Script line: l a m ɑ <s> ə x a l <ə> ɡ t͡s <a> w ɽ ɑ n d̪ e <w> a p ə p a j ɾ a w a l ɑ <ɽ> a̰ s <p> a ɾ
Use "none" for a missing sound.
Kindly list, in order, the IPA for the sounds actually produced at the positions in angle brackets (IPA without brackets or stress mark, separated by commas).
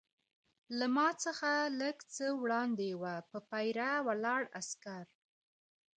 t͡s, ə, ə, w, ɽ, k